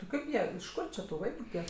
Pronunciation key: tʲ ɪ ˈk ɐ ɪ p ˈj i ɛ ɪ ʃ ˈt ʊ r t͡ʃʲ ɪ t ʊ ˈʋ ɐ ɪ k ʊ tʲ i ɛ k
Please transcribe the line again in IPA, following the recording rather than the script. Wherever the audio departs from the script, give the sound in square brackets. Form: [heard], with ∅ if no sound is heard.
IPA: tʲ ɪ ˈk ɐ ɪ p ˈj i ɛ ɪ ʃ [ˈk] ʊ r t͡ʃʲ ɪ t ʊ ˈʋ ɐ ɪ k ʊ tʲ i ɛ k